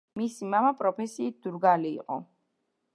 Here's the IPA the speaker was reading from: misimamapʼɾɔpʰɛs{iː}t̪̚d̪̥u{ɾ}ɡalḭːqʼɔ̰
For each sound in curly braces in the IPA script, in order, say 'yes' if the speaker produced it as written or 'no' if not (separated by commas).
yes, yes